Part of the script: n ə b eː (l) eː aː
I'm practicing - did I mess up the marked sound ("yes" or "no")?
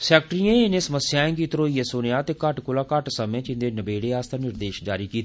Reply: yes